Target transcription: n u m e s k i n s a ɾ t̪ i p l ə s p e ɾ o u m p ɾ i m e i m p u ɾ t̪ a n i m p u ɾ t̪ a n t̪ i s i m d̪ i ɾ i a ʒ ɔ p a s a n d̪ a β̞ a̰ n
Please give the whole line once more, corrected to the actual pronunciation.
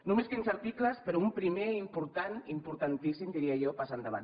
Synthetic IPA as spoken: n u m e s k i n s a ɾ t̪ i k l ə s p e ɾ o u m p ɾ i m e i m p u ɾ t̪ a n i m p u ɾ t̪ a n t̪ i s i m d̪ i ɾ i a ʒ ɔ p a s a n d̪ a β̞ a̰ n